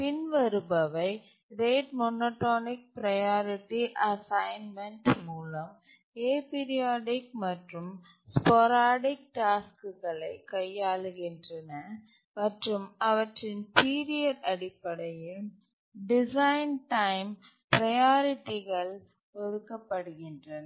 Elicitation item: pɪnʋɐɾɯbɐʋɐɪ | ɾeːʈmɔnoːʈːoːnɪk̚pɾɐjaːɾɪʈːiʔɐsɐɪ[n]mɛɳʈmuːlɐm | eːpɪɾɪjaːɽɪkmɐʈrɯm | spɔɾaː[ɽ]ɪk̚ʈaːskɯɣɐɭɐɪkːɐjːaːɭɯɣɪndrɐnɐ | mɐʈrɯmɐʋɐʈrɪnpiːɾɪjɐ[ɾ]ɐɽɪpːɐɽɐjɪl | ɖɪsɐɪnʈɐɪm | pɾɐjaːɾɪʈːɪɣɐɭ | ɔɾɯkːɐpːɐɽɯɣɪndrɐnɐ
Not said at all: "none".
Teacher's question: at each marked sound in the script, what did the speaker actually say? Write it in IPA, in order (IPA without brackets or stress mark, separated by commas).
n, ɽ, ɾ